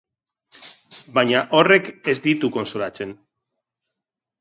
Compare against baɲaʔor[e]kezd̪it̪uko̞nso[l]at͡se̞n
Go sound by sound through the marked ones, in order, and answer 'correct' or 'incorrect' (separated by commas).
correct, correct